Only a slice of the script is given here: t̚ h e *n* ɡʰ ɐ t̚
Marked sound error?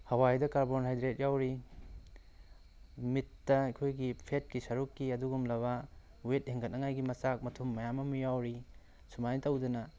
yes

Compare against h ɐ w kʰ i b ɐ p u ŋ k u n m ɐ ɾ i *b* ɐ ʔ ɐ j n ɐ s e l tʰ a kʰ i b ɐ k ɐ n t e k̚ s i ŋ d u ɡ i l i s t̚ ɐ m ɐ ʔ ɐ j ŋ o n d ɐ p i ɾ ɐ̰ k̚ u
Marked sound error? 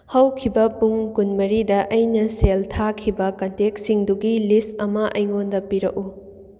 yes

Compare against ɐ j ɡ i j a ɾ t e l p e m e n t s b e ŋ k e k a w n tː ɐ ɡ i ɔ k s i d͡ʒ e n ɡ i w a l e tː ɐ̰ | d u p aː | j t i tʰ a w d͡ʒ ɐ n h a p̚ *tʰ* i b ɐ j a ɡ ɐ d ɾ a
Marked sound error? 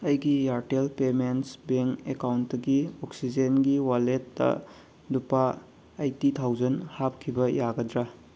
yes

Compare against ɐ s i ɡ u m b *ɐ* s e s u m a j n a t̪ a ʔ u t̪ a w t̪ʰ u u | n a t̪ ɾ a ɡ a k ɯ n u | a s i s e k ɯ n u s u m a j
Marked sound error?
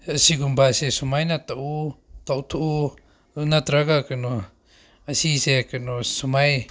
yes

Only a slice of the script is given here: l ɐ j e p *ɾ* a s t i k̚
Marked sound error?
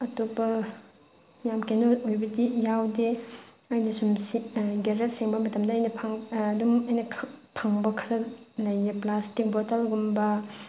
yes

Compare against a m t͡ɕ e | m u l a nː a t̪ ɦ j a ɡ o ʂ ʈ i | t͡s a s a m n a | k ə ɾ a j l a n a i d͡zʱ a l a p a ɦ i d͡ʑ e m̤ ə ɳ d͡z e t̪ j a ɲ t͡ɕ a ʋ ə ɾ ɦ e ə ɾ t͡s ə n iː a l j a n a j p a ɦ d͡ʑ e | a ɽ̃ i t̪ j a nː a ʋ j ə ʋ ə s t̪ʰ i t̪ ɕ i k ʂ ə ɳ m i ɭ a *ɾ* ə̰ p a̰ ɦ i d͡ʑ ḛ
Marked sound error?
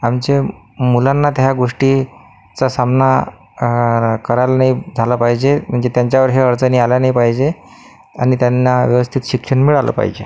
yes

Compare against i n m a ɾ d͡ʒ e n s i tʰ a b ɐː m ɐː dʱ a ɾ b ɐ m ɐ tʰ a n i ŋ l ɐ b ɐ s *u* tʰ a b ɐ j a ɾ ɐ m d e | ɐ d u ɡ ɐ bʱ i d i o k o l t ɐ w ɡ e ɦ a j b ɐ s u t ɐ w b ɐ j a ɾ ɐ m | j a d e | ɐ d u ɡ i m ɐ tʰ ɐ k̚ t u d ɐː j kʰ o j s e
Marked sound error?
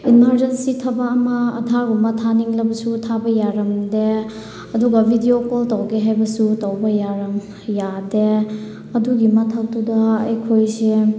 no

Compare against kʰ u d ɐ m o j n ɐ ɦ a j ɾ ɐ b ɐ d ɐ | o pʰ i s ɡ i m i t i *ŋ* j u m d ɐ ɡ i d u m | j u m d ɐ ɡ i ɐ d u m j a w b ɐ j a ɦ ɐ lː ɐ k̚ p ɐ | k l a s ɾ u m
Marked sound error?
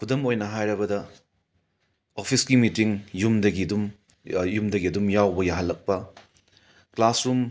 no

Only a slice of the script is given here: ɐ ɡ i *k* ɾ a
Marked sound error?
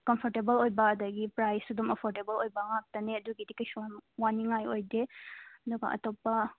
yes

